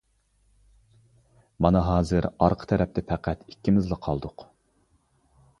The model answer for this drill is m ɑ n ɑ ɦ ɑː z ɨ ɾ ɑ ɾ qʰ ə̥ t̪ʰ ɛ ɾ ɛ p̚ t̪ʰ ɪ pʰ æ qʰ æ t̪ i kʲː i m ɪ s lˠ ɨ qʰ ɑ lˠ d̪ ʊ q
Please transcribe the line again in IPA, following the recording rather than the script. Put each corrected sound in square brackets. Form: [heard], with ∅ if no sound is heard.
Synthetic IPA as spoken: m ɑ n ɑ ɦ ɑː z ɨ ɾ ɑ ɾ qʰ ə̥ t̪ʰ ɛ ɾ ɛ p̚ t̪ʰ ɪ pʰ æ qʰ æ t̪ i kʲː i m ɪ [z] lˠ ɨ qʰ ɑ lˠ d̪ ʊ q